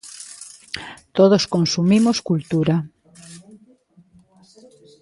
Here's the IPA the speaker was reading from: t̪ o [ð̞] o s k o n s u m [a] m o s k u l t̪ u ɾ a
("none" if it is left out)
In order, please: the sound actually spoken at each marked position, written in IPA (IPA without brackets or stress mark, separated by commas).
ð̞, i